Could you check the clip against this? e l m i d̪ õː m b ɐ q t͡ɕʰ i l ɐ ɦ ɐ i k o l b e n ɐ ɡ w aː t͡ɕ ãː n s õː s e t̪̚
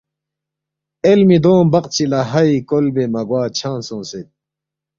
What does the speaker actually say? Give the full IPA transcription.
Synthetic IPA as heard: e l m i d̪ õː m b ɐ q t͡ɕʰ i l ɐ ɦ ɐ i k o l b e m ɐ ɡ w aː t͡ɕʰ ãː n s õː s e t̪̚